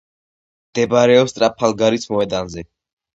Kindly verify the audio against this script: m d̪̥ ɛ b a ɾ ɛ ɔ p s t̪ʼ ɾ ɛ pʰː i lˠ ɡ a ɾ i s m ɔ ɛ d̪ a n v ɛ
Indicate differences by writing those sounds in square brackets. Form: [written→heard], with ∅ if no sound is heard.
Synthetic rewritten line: m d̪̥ ɛ b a ɾ ɛ ɔ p s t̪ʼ ɾ [ɛ→a] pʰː [i→a] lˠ ɡ a ɾ i s m ɔ ɛ d̪ a n [v→z] ɛ